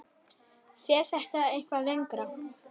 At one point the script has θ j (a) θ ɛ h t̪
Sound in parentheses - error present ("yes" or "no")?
yes